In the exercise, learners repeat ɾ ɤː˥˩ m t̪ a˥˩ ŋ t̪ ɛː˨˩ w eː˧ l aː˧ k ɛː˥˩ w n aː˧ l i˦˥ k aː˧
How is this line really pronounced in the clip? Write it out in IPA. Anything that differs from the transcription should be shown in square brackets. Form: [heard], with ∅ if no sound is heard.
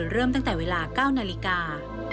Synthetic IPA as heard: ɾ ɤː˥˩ m t̪ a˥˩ ŋ t̪ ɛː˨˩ w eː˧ l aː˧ k [aː˥˩] w n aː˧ l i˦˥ k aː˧